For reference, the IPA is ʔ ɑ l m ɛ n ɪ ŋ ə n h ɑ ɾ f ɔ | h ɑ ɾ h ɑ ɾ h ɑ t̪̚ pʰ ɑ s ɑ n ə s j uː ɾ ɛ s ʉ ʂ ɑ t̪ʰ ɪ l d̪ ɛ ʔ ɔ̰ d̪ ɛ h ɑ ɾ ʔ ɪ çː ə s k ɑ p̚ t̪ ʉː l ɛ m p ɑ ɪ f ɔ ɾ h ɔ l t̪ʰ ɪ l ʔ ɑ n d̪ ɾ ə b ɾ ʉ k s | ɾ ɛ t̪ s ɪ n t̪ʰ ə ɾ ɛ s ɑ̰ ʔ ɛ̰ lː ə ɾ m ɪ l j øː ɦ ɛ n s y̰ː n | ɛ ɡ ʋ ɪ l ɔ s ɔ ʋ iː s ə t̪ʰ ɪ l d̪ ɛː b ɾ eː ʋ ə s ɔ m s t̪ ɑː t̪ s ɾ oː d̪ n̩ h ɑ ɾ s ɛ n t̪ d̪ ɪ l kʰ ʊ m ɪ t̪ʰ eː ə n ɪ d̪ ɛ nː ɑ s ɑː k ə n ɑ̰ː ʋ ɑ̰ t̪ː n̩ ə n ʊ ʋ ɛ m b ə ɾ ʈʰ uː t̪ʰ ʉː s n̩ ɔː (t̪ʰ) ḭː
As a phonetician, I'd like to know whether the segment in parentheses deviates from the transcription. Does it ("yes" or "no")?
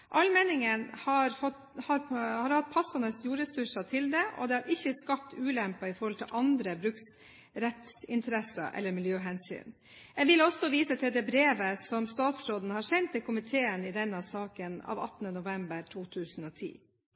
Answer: no